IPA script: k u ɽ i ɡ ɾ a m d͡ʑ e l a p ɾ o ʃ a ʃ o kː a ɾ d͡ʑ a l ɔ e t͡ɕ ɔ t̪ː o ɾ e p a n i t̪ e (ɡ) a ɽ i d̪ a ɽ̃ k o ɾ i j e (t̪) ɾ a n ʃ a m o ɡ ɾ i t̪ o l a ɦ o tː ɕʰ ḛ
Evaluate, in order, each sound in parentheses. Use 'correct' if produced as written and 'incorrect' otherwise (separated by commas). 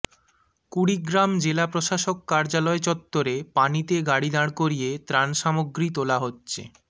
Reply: correct, correct